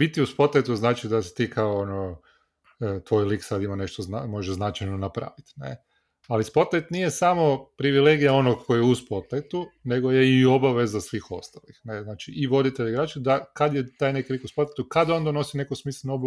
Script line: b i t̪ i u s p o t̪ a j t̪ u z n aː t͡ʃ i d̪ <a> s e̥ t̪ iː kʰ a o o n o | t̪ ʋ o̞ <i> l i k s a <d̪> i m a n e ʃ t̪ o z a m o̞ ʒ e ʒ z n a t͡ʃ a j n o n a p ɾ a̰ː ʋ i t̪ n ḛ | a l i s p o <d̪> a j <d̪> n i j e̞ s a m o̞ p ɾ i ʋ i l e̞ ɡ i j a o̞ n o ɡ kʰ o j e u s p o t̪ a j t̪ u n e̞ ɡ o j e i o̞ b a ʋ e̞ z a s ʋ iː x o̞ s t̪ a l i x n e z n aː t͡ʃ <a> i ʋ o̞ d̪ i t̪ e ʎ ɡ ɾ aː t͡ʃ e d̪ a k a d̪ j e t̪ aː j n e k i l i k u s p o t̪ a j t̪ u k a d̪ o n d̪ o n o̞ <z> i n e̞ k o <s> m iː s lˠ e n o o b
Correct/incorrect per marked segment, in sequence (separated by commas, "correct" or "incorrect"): correct, incorrect, correct, incorrect, incorrect, incorrect, incorrect, correct